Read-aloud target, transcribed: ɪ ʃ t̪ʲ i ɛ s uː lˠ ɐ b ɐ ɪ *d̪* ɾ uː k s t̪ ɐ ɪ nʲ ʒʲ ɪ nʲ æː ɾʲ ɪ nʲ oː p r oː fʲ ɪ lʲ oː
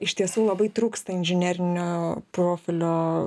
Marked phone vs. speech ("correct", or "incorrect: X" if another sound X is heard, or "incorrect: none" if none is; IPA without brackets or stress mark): incorrect: t̪